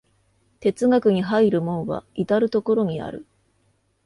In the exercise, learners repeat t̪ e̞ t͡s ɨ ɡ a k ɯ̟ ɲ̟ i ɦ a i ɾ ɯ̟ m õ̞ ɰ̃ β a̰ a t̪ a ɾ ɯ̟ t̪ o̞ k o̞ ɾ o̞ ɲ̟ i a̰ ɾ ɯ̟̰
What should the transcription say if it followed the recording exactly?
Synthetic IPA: t̪ e̞ t͡s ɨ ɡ a k ɯ̟ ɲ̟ i ɦ a i ɾ ɯ̟ m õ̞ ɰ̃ β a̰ i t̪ a ɾ ɯ̟ t̪ o̞ k o̞ ɾ o̞ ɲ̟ i a̰ ɾ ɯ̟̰